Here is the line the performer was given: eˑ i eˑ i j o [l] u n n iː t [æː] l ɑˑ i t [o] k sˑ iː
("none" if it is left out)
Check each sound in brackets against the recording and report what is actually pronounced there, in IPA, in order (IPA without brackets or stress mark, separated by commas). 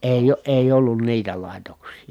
lː, æ, o